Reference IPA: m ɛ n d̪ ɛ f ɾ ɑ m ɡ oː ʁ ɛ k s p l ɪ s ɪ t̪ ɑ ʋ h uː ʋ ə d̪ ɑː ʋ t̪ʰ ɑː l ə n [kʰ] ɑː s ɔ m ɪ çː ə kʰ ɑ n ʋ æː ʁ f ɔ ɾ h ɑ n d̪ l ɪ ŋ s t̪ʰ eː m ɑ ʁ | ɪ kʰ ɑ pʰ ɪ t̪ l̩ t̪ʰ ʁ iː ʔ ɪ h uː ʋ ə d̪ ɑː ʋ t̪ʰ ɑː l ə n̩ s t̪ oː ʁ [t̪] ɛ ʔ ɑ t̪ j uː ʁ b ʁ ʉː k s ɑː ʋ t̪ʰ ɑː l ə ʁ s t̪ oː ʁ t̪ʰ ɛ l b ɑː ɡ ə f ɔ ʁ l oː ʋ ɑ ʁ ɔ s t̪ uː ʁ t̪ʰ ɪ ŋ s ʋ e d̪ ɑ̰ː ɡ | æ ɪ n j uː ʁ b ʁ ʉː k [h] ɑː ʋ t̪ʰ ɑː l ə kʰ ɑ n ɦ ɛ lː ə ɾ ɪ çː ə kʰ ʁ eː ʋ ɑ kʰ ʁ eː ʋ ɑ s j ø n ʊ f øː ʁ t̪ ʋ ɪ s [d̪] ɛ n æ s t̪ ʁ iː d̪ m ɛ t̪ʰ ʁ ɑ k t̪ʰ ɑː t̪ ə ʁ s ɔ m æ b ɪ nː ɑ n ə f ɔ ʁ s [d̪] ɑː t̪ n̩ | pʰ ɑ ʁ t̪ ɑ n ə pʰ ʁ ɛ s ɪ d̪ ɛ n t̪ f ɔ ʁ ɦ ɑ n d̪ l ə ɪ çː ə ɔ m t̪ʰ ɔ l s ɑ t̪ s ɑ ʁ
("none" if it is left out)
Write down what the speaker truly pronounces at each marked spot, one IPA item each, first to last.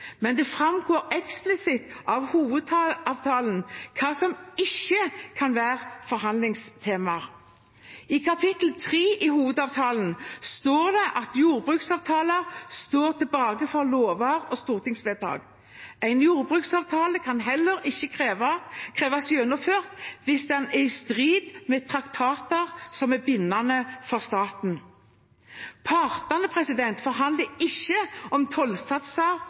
kʰ, d̪, s, d̪, t̪

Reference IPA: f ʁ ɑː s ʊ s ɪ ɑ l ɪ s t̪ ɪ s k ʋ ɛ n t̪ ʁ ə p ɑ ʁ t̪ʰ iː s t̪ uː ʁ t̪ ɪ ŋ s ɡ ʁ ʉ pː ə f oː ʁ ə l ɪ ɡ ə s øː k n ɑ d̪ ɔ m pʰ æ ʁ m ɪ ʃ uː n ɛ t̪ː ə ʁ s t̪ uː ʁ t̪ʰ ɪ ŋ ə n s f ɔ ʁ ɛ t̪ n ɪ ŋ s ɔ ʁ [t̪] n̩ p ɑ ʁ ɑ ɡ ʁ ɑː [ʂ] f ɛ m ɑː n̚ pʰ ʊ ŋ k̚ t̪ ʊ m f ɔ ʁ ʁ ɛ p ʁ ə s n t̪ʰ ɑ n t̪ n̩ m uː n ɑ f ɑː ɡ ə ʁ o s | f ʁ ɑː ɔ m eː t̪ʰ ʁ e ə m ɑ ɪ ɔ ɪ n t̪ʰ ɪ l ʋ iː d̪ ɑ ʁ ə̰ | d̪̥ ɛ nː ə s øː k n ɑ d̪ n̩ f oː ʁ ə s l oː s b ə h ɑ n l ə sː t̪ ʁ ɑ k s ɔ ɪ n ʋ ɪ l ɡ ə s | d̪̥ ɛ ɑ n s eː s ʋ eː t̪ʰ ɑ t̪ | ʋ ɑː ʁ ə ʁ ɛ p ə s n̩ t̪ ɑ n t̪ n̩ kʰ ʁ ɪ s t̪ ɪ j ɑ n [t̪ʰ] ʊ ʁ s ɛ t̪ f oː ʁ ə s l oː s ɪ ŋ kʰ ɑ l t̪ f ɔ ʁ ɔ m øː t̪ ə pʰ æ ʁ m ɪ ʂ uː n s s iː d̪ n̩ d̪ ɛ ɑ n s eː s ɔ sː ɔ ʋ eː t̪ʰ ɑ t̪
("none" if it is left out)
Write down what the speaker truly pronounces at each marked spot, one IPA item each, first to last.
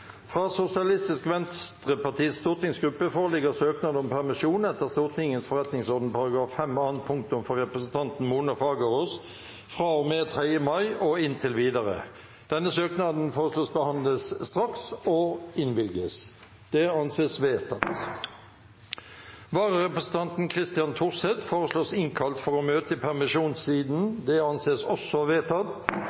d̪, f, t̪ʰ

